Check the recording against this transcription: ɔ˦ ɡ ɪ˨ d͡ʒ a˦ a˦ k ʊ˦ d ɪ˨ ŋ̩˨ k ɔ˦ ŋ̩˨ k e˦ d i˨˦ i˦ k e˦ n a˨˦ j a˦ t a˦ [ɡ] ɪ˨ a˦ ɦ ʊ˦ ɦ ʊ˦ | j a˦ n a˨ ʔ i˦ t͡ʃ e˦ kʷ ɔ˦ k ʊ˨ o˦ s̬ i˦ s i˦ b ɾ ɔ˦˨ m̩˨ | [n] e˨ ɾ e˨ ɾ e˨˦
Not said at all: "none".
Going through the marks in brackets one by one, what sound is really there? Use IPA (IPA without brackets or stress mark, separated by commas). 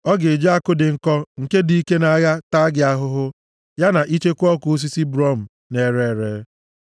ɡ, n